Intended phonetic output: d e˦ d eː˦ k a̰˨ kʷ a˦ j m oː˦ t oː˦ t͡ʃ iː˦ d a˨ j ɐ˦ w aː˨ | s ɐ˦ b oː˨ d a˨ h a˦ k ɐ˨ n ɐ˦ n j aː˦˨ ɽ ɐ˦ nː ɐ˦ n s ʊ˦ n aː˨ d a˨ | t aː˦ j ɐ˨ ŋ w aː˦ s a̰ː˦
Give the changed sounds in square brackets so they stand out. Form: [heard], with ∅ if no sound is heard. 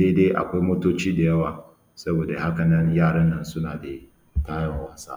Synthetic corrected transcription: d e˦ d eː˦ [ʔ] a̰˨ kʷ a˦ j m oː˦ t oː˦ t͡ʃ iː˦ d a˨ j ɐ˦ w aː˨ | s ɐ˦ b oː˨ d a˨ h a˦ k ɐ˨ n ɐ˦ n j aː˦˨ ɽ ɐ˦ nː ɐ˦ n s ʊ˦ n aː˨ d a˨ | t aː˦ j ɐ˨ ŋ w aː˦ s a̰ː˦